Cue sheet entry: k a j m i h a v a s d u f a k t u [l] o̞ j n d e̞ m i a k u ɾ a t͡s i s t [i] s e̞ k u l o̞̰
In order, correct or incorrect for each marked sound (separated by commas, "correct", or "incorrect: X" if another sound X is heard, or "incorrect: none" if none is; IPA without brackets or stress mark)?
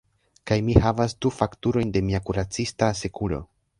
incorrect: ɾ, incorrect: a